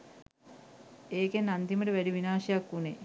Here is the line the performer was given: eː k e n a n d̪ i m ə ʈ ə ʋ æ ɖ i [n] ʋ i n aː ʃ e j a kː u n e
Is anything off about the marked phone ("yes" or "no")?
yes